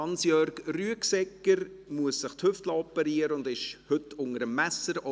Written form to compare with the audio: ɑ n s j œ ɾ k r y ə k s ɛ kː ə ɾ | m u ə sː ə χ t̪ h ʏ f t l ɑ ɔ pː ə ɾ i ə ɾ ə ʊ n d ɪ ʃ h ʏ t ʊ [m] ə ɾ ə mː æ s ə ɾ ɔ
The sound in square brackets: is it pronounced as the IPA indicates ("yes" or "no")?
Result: no